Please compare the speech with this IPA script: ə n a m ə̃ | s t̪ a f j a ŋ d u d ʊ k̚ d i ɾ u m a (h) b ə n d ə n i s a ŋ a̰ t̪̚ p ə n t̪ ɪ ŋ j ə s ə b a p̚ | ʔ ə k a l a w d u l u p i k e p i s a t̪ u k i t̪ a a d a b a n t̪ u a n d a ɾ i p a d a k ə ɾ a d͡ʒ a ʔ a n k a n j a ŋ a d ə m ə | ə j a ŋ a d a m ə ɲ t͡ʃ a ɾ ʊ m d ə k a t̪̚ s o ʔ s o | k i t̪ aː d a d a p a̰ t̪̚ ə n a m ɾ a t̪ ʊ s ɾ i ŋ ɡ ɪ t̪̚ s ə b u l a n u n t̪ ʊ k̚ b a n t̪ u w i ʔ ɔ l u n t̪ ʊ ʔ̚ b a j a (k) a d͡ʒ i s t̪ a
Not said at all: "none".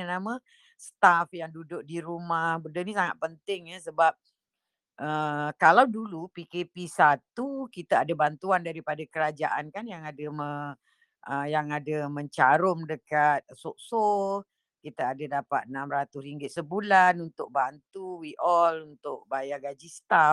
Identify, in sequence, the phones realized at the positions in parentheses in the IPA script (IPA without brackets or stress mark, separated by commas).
h, ɡ